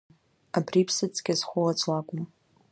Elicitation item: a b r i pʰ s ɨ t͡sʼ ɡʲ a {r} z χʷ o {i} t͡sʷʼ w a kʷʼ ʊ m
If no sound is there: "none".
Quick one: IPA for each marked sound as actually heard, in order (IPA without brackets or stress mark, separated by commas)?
none, a